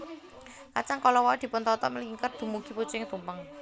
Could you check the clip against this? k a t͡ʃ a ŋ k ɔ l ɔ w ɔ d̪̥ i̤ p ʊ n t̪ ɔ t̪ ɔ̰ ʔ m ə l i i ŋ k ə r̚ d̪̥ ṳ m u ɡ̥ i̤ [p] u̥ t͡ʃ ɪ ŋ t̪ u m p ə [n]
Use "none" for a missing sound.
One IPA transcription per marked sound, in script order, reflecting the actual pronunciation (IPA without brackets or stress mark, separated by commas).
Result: p, ŋ